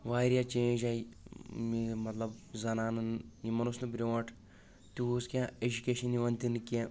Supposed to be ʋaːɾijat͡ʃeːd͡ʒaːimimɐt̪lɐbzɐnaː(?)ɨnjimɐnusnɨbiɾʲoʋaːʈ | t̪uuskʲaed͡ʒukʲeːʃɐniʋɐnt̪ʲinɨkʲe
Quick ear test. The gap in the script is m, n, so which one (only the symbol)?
n